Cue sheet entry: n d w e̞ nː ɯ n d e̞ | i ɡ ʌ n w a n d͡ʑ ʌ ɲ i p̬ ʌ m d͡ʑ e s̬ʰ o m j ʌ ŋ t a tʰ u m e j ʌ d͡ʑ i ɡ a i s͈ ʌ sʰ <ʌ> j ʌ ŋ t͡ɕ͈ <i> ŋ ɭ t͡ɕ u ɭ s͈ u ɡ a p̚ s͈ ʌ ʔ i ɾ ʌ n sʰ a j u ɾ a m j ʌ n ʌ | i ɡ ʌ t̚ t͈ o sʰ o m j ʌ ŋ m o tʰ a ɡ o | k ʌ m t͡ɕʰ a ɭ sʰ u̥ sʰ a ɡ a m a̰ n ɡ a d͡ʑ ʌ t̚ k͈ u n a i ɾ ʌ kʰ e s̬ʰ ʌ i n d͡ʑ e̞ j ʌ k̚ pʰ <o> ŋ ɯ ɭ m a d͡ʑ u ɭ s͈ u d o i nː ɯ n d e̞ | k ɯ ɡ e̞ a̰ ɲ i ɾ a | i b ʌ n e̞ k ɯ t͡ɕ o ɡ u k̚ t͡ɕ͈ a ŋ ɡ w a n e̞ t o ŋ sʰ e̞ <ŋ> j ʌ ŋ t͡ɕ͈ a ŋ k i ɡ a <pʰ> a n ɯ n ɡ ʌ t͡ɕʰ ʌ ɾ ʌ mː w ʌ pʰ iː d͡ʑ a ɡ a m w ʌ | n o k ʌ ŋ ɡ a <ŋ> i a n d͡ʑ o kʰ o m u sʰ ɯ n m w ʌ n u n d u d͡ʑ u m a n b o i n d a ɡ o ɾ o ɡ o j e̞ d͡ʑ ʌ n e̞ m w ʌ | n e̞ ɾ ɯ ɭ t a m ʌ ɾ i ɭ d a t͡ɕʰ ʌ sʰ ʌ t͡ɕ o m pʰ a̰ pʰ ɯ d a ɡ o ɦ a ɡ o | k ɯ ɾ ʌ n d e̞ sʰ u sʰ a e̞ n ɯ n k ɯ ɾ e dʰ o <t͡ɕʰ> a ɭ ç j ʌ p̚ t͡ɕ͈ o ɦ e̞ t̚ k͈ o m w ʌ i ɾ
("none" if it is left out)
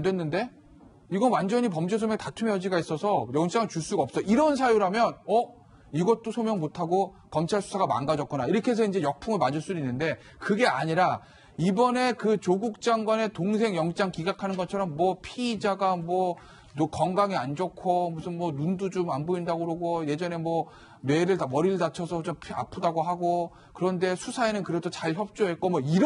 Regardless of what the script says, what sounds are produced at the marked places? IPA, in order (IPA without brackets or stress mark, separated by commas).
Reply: ʌ, a, u, ŋ, kʰ, ŋ, t͡ɕ